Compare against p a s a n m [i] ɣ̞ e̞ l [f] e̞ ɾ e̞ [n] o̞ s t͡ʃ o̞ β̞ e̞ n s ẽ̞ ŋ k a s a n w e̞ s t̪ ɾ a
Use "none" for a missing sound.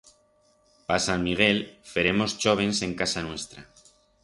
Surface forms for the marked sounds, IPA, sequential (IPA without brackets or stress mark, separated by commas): i, f, m